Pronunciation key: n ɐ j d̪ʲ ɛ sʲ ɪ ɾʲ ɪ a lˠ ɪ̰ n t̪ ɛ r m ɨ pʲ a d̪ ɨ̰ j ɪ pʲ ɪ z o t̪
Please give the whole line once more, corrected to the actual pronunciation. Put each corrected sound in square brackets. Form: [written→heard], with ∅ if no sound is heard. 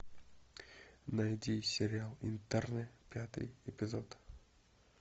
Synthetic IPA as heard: n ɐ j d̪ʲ [ɛ→i] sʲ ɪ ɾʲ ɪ a lˠ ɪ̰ n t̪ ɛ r [m→n] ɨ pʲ a [d̪→t̪] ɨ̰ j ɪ pʲ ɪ z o t̪